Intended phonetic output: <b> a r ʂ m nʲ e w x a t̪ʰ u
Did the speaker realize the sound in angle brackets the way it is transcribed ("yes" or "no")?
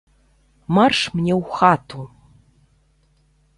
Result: no